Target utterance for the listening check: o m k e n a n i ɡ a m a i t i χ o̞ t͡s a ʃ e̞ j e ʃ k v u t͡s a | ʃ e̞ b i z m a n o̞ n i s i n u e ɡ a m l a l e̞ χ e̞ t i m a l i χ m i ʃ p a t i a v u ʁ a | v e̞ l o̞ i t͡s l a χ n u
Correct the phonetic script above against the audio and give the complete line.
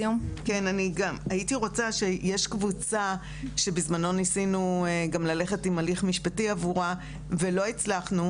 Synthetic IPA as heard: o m k e n a n i ɡ a m a i t i ʁ o̞ t͡s a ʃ e̞ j e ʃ k v u t͡s a | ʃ e̞ b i z m a n o̞ n i s i n u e ɡ a m l a l e̞ χ e̞ t i m a l i χ m i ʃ p a t i a v u ʁ a | v e̞ l o̞ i t͡s l a χ n u